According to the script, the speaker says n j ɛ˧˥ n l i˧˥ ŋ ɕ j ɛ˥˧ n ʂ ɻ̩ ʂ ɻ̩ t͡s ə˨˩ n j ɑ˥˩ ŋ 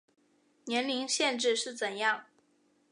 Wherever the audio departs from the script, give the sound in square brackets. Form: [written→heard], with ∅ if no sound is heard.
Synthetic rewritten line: n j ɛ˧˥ n l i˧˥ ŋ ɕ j ɛ˥˧ n [ʂ→ʈ͡ʂ] ɻ̩ ʂ ɻ̩ t͡s ə˨˩ n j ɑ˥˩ ŋ